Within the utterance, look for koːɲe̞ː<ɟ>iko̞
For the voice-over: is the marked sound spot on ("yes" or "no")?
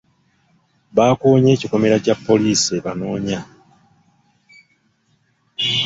no